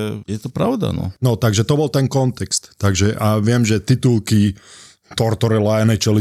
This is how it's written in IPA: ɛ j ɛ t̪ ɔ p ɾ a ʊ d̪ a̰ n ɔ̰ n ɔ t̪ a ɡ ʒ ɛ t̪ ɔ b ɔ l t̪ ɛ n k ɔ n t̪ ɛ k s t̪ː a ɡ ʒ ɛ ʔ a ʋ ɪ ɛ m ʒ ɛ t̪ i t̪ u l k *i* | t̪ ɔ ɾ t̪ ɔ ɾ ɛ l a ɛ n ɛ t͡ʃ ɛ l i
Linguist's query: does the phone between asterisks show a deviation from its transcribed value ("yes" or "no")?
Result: no